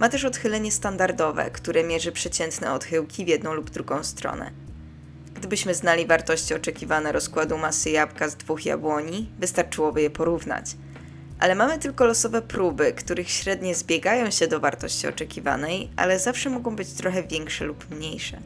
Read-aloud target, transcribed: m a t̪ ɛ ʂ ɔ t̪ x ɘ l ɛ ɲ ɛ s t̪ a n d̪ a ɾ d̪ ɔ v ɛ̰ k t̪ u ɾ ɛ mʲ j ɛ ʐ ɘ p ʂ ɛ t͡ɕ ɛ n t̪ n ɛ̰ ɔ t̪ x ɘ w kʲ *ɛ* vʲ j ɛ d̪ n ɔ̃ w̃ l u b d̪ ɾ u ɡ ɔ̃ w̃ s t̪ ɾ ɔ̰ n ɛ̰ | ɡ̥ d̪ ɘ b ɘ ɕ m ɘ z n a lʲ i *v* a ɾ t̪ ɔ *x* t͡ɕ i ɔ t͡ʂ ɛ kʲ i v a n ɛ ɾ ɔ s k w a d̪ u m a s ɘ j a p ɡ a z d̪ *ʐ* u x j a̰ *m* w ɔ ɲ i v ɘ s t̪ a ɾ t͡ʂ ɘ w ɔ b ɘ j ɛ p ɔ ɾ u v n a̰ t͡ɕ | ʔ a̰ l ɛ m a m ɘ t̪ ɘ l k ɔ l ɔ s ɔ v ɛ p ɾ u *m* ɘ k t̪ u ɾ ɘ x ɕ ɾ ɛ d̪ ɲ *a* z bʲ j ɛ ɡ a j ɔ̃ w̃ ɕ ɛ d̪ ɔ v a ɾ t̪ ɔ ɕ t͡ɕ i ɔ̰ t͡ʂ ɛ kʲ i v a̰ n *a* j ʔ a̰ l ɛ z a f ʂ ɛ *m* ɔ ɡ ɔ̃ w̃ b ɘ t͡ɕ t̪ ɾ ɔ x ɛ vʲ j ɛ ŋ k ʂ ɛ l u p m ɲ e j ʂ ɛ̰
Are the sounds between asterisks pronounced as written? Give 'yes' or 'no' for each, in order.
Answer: no, yes, no, no, no, no, no, no, yes

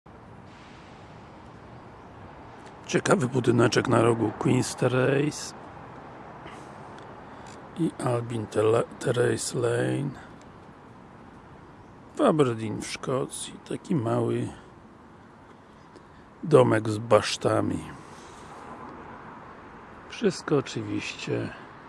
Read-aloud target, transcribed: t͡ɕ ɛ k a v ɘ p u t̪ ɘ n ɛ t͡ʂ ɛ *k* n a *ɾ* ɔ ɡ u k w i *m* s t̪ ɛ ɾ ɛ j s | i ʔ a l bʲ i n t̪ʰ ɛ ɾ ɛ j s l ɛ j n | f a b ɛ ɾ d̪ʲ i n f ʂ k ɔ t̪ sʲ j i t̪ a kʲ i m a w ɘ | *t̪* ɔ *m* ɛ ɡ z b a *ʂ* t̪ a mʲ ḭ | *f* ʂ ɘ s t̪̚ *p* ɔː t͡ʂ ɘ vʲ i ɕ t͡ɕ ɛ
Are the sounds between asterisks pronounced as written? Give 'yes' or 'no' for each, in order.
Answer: yes, yes, no, no, yes, yes, yes, no

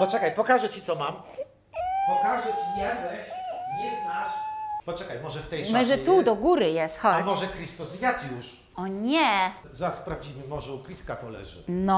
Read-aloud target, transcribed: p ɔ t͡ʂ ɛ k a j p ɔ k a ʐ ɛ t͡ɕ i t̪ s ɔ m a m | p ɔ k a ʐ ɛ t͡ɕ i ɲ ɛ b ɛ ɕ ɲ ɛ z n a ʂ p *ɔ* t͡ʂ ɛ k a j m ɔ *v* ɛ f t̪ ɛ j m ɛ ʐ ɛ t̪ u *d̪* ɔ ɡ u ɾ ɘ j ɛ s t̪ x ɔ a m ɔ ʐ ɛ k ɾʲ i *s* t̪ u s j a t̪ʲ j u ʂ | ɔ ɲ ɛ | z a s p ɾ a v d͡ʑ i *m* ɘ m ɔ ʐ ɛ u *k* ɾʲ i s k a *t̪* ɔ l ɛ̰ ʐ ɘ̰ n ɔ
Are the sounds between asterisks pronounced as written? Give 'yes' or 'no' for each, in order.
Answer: yes, no, yes, yes, yes, yes, yes

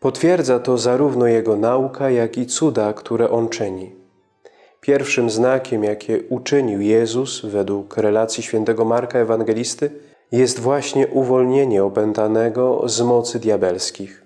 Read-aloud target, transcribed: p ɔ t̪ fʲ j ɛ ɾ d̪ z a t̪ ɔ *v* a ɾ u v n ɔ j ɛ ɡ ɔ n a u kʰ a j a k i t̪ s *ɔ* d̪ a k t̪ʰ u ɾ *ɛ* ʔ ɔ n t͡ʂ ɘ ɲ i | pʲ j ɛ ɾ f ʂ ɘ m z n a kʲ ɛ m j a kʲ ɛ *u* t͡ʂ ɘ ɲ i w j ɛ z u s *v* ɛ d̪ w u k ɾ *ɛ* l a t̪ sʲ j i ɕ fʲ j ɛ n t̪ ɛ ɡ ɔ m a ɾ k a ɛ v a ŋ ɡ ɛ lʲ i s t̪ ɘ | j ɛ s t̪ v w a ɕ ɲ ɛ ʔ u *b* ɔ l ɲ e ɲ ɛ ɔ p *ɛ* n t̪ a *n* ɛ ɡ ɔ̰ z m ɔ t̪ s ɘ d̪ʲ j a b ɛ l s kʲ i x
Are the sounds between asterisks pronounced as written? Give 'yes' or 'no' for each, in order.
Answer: no, no, yes, yes, yes, yes, no, yes, yes

